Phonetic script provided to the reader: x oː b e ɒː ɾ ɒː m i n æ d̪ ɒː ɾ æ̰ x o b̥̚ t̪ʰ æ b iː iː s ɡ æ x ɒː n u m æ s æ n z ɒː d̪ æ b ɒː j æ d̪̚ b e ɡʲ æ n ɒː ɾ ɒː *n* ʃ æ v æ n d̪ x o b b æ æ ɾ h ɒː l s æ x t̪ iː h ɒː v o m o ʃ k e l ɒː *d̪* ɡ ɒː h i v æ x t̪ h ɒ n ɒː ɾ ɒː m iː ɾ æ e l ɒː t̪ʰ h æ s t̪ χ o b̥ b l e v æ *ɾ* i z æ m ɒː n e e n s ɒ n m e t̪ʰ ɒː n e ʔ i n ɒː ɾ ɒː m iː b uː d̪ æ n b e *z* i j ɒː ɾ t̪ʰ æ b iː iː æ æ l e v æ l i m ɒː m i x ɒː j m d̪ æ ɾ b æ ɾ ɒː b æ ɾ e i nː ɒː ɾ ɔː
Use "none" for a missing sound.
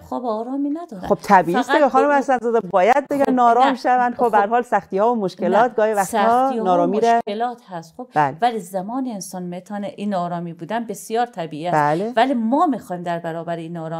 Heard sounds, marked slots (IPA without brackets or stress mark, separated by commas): m, t̪, l, s